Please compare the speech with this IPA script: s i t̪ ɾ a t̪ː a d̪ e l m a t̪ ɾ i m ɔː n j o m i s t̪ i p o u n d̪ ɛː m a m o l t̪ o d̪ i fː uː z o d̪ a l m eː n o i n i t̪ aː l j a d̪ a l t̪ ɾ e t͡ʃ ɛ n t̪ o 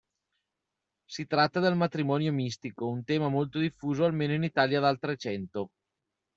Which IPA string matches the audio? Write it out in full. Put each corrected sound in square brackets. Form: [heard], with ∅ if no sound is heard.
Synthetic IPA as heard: s i t̪ ɾ a t̪ː a d̪ e l m a t̪ ɾ i m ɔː n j o m i s t̪ i [k] o u n [t̪] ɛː m a m o l t̪ o d̪ i fː uː z o [∅] a l m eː n o i n i t̪ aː l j a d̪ a l t̪ ɾ e t͡ʃ ɛ n t̪ o